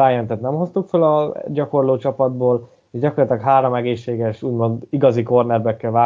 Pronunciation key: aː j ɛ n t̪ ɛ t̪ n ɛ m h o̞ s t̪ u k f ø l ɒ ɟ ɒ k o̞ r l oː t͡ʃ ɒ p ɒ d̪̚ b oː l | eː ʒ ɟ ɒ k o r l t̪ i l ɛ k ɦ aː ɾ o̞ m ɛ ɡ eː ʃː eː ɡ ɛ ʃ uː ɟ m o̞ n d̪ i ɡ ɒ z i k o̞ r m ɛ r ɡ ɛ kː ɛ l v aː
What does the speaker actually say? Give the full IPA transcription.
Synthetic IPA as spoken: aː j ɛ n t̪ ɛ t̪ n ɛ m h o̞ s t̪ u k f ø l ɒ ɟ ɒ k o̞ r l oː t͡ʃ ɒ p ɒ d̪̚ b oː l | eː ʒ ɟ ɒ k o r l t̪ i l ɛ k ɦ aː ɾ o̞ m ɛ ɡ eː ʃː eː ɡ ɛ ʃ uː ɟ m o̞ n d̪ i ɡ ɒ z i k o̞ r n ɛ r b ɛ kː ɛ l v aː